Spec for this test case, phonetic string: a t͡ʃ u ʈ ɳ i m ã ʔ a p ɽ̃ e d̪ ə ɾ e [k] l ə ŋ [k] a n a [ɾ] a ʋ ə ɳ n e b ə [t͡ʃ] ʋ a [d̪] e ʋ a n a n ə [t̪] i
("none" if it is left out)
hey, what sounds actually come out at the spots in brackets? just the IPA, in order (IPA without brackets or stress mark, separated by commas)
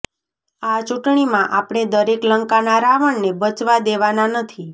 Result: k, k, ɾ, t͡ʃ, d̪, t̪ʰ